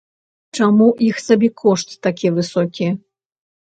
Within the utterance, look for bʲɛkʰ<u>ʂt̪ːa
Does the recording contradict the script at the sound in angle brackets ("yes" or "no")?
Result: yes